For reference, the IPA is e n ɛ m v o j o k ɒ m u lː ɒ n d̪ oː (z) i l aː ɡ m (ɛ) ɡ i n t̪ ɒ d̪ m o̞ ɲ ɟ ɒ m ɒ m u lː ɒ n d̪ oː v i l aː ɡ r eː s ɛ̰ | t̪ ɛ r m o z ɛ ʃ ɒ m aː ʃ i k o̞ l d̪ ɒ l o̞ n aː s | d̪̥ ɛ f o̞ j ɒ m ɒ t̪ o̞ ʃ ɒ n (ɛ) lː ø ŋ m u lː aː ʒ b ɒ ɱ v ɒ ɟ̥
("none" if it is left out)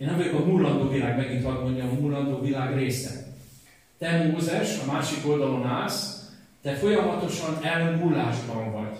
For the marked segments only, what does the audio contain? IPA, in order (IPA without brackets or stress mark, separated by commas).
v, ɛ, ɛ